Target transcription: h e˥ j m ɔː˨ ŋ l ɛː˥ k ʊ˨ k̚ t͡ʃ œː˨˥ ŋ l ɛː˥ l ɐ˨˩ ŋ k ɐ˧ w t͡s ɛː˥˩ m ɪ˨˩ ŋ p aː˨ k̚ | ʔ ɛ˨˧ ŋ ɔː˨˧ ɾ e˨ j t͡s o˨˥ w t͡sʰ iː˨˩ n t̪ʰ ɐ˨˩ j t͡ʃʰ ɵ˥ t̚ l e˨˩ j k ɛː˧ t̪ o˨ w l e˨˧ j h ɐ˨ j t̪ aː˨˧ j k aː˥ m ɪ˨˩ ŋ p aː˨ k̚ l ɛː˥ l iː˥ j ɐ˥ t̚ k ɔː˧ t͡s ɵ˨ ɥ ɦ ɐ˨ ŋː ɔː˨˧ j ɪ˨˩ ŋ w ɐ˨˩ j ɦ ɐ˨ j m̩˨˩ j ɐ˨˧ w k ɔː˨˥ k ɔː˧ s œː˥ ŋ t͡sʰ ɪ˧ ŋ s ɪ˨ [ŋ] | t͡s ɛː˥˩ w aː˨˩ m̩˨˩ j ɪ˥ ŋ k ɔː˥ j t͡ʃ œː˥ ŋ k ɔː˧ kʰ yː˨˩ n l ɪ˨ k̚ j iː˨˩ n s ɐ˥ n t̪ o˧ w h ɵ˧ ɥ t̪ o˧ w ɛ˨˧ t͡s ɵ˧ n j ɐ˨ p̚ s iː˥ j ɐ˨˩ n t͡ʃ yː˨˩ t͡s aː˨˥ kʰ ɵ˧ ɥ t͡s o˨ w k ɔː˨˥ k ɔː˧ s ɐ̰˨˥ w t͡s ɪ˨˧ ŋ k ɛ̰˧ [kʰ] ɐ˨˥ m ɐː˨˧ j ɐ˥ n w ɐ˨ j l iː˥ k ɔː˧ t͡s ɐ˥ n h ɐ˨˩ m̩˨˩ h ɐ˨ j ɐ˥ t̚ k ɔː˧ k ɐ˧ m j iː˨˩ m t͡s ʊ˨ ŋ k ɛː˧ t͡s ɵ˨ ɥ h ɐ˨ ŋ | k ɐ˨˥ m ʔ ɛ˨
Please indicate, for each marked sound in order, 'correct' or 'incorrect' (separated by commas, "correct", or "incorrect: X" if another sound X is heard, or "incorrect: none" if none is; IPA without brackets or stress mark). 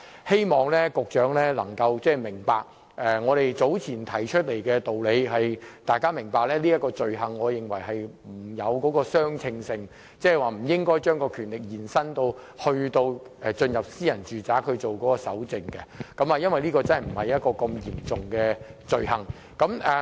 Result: correct, incorrect: k